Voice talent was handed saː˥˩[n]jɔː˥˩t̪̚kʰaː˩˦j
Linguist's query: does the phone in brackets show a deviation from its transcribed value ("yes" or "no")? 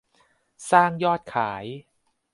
yes